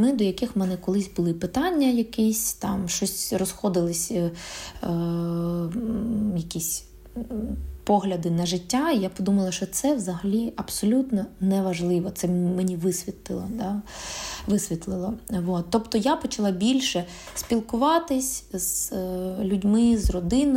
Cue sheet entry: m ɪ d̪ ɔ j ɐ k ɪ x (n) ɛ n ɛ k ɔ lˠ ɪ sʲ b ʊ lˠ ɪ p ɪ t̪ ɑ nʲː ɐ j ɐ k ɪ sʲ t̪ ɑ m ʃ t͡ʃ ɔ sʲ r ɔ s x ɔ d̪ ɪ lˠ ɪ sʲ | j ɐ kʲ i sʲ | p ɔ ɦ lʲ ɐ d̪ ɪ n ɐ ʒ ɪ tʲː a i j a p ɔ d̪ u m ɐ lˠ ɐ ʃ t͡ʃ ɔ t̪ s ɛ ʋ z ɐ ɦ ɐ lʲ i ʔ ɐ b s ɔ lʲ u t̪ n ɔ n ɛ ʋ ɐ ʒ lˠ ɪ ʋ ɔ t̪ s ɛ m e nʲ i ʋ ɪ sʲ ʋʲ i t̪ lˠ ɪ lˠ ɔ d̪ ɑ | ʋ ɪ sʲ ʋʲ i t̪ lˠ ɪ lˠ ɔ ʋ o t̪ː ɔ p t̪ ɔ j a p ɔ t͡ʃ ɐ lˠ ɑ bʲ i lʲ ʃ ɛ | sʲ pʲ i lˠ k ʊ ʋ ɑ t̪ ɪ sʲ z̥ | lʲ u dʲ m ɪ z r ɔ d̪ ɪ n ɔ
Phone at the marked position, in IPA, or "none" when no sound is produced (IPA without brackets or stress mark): m